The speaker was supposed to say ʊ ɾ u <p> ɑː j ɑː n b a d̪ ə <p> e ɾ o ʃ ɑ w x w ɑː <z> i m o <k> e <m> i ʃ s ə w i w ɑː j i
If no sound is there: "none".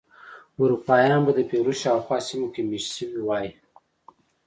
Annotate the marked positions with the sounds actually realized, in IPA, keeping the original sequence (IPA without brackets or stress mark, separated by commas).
p, p, s, k, m